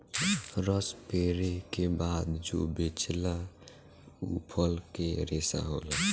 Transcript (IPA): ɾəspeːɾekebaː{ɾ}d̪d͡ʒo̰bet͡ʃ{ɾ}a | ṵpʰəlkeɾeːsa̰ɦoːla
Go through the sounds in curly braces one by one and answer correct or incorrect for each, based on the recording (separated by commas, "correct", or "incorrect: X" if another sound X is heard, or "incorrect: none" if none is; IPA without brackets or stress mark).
incorrect: none, incorrect: l